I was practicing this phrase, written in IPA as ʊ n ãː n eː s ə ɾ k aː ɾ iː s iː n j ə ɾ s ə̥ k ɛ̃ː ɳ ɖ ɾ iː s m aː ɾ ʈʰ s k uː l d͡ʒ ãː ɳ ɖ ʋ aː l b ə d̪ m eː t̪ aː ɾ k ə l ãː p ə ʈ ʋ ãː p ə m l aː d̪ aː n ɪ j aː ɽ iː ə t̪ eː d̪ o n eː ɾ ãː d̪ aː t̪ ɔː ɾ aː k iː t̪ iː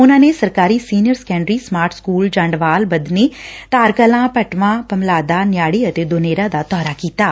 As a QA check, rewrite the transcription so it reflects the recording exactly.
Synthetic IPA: ʊ n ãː n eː s ə ɾ k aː ɾ iː s iː n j ə ɾ s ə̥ k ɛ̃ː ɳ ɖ ɾ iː s m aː ɾ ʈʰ s k uː l d͡ʒ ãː ɳ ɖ ʋ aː l b ə d̪ n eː t̪ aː ɾ k ə l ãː p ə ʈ ʋ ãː p ə m l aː d̪ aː n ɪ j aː ɽ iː ə t̪ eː d̪ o n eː ɾ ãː d̪ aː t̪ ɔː ɾ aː k iː t̪ aː

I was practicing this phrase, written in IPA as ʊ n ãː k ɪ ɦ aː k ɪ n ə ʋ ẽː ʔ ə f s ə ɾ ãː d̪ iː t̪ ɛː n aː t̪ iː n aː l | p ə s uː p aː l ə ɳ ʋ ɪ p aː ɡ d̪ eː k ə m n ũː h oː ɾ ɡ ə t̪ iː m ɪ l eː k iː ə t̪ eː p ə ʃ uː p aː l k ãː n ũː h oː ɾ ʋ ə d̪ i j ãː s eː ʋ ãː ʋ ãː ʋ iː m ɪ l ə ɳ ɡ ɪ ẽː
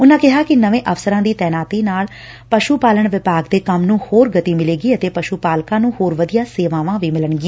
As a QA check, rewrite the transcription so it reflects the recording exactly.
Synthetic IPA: ʊ n ãː k ɪ ɦ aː k ɪ n ə ʋ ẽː ʔ ə f s ə ɾ ãː d̪ iː t̪ ɛː n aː t̪ iː n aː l | p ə ʃ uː p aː l ə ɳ ʋ ɪ p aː ɡ d̪ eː k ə m n ũː h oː ɾ ɡ ə t̪ iː m ɪ l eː ɡ iː ə t̪ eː p ə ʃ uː p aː l k ãː n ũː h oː ɾ ʋ ə d̪ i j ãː s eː ʋ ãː ʋ ãː ʋ iː m ɪ l ə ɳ ɡ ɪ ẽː

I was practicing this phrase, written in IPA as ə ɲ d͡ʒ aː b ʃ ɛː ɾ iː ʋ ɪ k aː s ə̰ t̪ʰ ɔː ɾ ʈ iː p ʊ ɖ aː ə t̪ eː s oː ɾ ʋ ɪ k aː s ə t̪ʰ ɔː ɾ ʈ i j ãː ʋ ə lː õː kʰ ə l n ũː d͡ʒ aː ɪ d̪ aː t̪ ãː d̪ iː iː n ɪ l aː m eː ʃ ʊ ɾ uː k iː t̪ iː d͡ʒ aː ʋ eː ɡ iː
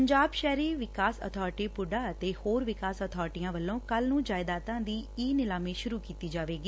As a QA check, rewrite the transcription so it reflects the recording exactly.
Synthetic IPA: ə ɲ d͡ʒ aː b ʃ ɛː ɾ iː ʋ ɪ k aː s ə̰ t̪ʰ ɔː ɾ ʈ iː p ʊ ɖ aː ə t̪ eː h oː ɾ ʋ ɪ k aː s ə t̪ʰ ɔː ɾ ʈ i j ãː ʋ ə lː õː k ə l n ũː d͡ʒ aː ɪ d̪ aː t̪ ãː d̪ iː iː n ɪ l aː m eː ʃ ʊ ɾ uː k iː t̪ iː d͡ʒ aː ʋ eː ɡ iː

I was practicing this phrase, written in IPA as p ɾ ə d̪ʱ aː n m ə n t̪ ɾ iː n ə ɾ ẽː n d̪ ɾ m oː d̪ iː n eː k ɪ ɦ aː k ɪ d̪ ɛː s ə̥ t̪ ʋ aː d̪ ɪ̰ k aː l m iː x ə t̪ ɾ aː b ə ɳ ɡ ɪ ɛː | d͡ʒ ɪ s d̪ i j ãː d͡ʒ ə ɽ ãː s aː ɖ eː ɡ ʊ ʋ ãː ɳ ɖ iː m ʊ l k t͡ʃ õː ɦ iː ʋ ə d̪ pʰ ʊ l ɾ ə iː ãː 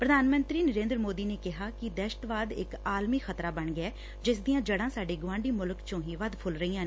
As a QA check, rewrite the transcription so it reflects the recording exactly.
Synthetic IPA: p ɾ ə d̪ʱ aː n m ə n t̪ ɾ iː n ə ɾ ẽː n d̪ ɾ m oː d̪ iː n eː k ɪ ɦ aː k ɪ d̪ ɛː ʃ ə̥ t̪ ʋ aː d̪ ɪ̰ k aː l m iː x ə t̪ ɾ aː b ə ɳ ɡ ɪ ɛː | d͡ʒ ɪ s d̪ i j ãː d͡ʒ ə ɽ ãː s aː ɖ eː ɡ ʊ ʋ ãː ɳ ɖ iː m ʊ l k t͡ʃ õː ɦ iː ʋ ə d̪ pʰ ʊ l ɾ ə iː ãː

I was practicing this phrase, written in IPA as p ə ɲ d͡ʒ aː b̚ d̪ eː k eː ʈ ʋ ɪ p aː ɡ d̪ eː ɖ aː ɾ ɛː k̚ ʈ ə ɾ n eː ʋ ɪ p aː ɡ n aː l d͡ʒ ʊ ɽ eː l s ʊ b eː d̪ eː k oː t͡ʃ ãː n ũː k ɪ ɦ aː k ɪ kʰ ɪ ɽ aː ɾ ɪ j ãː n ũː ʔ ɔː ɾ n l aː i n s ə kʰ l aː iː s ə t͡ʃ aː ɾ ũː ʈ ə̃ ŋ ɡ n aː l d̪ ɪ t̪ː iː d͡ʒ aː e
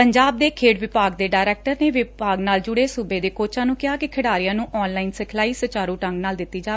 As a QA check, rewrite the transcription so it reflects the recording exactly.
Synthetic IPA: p ə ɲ d͡ʒ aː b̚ d̪ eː kʰ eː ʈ ʋ ɪ p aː ɡ d̪ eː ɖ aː ɾ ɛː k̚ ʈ ə ɾ n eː ʋ ɪ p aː ɡ n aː l d͡ʒ ʊ ɽ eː s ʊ b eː d̪ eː k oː t͡ʃ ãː n ũː k ɪ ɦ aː k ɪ kʰ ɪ ɽ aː ɾ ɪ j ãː n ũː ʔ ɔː n l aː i n s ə kʰ l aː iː s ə t͡ʃ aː ɾ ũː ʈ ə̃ ŋ ɡ n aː l d̪ ɪ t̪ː iː d͡ʒ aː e

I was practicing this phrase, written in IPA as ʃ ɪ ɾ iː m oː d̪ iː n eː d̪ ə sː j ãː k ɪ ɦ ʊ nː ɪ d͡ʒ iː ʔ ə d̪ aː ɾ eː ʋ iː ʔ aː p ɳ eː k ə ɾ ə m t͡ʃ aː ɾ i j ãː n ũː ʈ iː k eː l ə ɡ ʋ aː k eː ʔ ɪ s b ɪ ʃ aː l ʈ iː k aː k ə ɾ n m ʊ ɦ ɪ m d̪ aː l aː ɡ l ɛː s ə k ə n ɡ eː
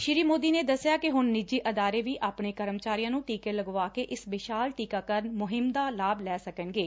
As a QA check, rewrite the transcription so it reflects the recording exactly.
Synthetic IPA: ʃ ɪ ɾ iː m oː d̪ iː n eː d̪ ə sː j aː k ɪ ɦ ʊ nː ɪ d͡ʒ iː ʔ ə d̪ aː ɾ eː ʋ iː ʔ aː p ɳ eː k ə ɾ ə m t͡ʃ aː ɾ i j ãː n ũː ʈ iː k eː l ə ɡ ʋ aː k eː ʔ ɪ s b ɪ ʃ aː l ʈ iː k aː k ə ɾ n m ʊ ɦ ɪ m d̪ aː l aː b l ɛː s ə k ə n ɡ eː

